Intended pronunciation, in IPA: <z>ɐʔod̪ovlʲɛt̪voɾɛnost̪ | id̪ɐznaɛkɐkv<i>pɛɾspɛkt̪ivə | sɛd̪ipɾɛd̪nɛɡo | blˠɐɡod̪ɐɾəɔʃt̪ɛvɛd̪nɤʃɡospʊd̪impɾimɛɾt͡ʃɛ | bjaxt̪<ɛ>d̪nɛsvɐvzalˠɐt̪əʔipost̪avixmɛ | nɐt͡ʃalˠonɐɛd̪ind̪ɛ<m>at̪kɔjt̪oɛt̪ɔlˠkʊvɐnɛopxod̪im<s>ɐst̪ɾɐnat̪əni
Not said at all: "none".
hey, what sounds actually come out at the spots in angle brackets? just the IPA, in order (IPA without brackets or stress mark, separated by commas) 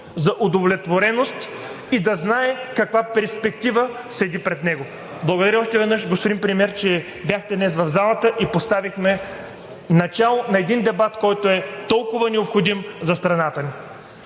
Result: z, a, ɛ, b, z